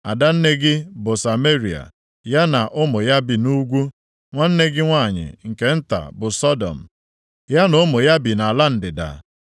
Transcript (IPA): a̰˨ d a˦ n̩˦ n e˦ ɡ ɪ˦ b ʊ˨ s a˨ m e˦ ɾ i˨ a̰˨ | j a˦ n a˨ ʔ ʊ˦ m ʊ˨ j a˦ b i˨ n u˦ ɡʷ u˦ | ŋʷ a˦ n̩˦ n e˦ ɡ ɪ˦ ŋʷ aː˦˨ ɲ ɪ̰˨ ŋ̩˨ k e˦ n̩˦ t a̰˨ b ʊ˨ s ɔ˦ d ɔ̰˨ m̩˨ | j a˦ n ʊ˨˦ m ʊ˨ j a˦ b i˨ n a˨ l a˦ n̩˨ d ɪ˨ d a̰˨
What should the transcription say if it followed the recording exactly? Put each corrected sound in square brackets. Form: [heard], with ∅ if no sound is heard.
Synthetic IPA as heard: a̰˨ d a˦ n̩˦ n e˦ ɡ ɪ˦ b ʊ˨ s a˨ m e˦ ɾ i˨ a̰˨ | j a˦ n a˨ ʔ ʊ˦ m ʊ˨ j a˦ b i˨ n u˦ ɡʷ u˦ | ŋʷ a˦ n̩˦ n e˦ ɡ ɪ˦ ŋʷ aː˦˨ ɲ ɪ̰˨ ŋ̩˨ k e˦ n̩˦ t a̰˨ b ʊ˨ s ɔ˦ d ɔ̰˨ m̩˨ | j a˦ n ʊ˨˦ m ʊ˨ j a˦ b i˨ n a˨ l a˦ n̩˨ d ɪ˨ d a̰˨